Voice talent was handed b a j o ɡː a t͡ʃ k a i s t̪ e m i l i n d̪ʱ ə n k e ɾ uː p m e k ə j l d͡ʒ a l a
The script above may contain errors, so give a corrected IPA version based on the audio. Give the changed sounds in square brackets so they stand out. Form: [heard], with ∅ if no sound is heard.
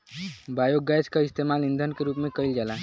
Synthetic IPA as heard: b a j o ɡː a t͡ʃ k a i s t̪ e m [a] l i n d̪ʱ ə n k e ɾ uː p m e k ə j l d͡ʒ a l a